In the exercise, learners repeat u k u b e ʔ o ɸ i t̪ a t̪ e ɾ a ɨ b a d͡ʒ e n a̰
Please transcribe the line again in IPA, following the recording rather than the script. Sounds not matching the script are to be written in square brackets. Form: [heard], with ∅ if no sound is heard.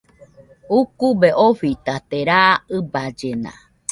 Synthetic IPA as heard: u k u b e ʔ o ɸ i t̪ a t̪ e ɾ a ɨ b a d͡ʒ e n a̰